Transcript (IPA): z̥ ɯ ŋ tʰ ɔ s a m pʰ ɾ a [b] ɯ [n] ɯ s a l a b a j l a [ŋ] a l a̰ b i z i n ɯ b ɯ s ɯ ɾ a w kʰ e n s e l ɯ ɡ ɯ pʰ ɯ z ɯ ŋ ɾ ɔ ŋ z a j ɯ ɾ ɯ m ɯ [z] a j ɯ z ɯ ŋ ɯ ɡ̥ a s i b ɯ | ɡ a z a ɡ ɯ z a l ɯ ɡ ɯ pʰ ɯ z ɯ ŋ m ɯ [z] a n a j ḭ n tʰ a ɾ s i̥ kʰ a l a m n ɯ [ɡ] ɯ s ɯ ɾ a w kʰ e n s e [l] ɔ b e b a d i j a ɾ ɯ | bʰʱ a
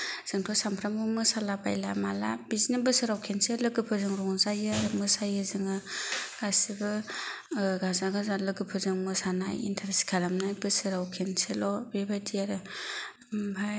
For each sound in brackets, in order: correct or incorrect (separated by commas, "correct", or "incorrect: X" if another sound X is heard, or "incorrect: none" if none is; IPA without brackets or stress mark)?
incorrect: m, incorrect: m, incorrect: m, incorrect: s, incorrect: s, incorrect: b, correct